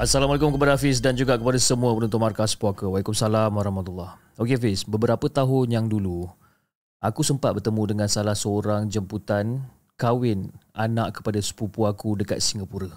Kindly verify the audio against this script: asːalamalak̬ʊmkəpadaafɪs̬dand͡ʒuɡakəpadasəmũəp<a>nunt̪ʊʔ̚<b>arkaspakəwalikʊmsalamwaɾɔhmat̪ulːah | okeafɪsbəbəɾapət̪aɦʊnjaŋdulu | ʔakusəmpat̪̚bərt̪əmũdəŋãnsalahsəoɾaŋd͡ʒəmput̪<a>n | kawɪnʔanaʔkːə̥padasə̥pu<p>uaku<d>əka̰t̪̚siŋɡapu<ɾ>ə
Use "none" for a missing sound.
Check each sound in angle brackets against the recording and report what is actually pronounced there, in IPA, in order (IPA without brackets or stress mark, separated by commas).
ə, m, a, p, d, ɾ